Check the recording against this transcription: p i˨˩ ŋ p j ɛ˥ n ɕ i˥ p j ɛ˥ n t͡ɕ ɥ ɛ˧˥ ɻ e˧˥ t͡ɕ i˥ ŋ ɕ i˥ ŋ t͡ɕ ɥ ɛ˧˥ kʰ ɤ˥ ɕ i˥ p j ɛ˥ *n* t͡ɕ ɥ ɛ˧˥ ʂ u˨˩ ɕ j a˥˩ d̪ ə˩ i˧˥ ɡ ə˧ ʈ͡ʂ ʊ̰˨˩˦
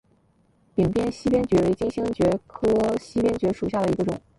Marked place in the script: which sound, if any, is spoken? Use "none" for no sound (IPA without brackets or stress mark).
n